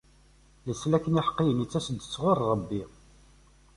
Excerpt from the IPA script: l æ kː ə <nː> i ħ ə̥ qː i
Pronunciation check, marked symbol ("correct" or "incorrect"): incorrect